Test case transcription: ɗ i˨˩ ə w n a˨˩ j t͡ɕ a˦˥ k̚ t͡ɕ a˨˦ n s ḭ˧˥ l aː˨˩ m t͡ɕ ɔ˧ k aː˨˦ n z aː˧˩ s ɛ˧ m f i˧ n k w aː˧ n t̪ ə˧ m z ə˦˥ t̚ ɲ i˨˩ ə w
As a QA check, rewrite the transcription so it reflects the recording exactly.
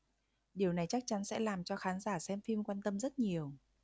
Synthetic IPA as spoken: ɗ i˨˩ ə w n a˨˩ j t͡ɕ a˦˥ k̚ t͡ɕ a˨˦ n s ɛ̰˧˥ l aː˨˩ m t͡ɕ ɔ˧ x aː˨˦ n z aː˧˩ s ɛ˧ m f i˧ m k w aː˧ n t̪ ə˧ m z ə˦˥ t̚ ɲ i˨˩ ə w